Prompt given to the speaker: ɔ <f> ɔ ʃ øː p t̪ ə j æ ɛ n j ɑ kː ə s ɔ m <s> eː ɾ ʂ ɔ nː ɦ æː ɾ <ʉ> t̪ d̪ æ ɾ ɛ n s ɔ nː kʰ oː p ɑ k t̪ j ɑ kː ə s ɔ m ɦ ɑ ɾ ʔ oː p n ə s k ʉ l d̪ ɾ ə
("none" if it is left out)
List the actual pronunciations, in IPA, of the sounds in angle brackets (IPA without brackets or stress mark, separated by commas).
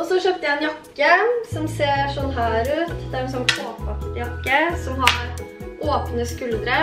s, s, ʉː